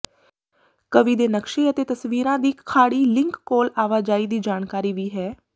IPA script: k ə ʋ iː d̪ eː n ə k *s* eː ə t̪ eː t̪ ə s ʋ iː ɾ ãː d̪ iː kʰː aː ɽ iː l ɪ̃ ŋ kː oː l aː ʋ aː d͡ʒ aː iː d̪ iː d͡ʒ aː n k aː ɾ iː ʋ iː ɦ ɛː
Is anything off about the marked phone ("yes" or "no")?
yes